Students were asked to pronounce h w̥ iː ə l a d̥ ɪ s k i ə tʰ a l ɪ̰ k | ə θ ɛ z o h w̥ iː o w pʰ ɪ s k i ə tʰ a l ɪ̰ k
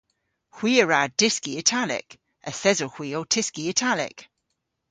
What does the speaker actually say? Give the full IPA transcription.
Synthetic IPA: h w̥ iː ə ɹ a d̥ ɪ s k i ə tʰ a l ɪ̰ k | ə θ ɛ z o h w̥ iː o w tʰ ɪ s k i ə tʰ a l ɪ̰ k